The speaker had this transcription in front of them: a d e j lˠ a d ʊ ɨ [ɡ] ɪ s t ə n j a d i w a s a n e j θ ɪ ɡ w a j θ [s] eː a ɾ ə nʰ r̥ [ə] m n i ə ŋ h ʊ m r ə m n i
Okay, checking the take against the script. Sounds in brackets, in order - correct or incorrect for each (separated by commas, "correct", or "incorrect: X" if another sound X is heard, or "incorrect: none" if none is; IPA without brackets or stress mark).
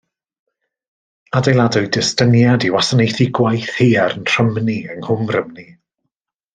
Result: incorrect: d, incorrect: h, correct